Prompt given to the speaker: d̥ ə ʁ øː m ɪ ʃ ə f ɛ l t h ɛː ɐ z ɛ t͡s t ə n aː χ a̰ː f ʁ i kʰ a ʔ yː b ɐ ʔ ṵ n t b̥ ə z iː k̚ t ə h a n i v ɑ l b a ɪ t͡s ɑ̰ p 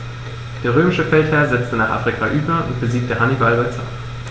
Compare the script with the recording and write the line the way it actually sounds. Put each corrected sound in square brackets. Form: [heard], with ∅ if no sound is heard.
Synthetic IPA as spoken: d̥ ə ʁ øː m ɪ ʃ ə f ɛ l t h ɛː ɐ z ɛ t͡s t ə n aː χ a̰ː f ʁ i kʰ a ʔ yː b ɐ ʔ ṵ n t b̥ ə z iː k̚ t ə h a n i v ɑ l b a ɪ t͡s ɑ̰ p